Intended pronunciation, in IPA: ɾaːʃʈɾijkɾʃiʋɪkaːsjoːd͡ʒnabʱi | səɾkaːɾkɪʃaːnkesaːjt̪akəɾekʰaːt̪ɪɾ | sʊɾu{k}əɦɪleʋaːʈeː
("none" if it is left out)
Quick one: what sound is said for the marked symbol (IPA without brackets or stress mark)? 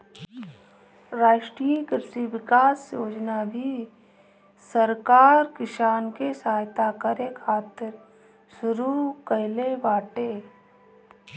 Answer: k